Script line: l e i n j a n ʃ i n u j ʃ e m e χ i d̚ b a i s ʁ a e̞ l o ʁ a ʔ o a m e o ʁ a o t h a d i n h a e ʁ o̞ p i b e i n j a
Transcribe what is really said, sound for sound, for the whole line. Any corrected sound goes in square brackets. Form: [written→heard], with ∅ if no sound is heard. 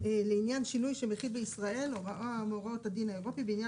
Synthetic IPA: l e i n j a n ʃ i n u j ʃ e m e χ i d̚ b [a→e] i s ʁ a e̞ l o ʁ a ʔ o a m e o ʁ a o t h a d i n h a e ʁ o̞ p i b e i n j a

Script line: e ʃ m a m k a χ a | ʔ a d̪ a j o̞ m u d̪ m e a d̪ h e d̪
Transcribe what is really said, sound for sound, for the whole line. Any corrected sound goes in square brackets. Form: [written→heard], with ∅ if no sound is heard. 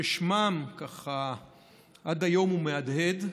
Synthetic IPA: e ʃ m a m k a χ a | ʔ a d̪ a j o̞ m u [d̪→∅] m e a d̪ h e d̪

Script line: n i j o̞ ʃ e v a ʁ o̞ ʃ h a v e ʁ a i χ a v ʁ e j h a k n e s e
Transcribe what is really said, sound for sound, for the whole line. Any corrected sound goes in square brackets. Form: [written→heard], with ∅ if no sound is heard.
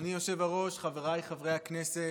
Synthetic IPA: n i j o̞ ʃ e v a ʁ o̞ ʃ [h→χ] a v e ʁ a [i→j] χ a v ʁ e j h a k n e s e

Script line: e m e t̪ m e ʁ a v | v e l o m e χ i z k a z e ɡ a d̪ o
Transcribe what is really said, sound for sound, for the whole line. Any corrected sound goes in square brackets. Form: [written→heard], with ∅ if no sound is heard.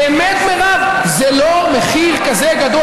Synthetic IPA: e m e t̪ m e ʁ a v | [v→z] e l o m e χ i [z→ʁ] k a z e ɡ a d̪ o

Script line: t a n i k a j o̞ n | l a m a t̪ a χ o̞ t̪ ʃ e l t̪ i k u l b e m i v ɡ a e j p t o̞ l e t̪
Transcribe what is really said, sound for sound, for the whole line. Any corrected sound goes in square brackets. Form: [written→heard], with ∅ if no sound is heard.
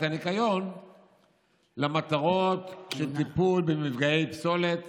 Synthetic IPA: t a n i k a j o̞ n | l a m a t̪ a [χ→ʁ] o̞ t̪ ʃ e l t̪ i [k→p] u l b e m i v ɡ a e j p [t→s] o̞ l e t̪

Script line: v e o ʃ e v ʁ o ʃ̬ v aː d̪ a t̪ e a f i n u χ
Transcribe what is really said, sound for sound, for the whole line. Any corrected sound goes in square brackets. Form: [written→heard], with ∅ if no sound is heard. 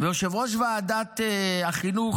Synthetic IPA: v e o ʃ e v ʁ o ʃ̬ v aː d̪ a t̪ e a [f→χ] i n u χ

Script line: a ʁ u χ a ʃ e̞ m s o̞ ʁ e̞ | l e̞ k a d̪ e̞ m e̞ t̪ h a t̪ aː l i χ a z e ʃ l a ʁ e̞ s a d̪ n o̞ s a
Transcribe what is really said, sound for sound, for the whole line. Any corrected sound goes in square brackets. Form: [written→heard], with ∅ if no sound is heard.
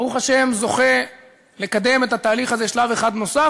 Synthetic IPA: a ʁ u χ a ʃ e̞ m [s→z] o̞ [ʁ→χ] e̞ | l e̞ k a d̪ e̞ m e̞ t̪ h a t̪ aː l i χ a z e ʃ l a [ʁ→v] e̞ [s→χ] a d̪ n o̞ s a

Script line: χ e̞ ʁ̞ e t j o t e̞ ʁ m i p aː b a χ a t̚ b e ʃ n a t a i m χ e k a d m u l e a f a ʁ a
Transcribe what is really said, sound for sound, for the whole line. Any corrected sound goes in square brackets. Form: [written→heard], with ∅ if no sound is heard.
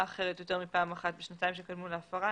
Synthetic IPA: χ e̞ ʁ̞ e t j o t e̞ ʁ m i p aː [b→m] a χ a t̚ b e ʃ n a t a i m [χ→ʃ] e k a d m u l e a f a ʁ a

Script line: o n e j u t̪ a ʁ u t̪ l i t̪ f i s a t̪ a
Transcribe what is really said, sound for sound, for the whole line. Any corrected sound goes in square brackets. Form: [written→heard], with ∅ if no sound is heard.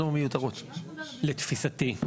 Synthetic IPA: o [n→m] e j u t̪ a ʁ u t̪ l [i→e] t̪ f i s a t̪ [a→i]

